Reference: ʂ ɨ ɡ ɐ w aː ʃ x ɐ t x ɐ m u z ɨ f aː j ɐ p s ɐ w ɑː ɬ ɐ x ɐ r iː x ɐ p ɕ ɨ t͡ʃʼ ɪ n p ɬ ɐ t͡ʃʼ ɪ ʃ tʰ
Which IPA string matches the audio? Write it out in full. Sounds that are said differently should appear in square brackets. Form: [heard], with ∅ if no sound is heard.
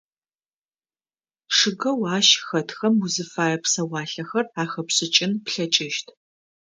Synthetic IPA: ʂ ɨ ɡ ɐ w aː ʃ x ɐ t x ɐ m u z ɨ f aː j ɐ p s ɐ w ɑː ɬ ɐ x ɐ r [aː] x ɐ p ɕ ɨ t͡ʃʼ ɪ n p ɬ ɐ t͡ʃʼ ɪ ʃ tʰ